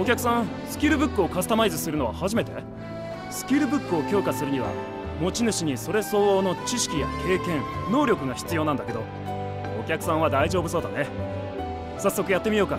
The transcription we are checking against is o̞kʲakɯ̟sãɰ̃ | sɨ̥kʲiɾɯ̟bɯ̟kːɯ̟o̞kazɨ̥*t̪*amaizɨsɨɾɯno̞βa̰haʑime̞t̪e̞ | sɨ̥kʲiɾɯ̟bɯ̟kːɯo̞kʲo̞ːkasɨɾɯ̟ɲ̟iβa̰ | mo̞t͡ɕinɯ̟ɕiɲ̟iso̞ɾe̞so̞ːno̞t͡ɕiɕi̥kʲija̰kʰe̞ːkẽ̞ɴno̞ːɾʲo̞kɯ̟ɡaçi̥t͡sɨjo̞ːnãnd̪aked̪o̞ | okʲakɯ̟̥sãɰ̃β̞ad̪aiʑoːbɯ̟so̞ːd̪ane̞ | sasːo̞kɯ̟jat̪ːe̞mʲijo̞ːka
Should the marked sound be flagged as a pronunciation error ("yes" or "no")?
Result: no